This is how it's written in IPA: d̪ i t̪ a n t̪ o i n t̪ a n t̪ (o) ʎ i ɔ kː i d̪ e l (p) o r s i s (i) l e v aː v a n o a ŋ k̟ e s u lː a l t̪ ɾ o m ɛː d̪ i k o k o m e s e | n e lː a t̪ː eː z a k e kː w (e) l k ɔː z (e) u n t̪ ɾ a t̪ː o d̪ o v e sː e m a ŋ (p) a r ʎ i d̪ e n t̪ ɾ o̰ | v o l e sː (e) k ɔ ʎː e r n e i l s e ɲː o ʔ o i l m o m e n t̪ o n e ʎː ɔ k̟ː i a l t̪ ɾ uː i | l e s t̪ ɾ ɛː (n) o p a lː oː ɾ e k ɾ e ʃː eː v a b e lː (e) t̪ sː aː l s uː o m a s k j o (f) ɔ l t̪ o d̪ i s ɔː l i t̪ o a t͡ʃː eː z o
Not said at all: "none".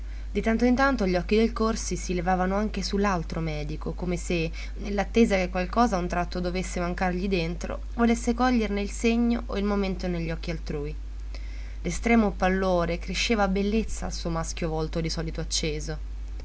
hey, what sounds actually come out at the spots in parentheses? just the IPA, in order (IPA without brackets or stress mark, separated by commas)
o, k, i, a, a, k, e, m, e, v